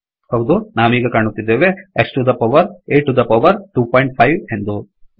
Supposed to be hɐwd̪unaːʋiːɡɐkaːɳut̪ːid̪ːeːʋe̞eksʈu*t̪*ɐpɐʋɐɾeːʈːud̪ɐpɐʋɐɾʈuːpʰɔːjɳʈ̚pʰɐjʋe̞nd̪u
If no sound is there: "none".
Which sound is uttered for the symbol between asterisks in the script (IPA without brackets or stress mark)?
d̪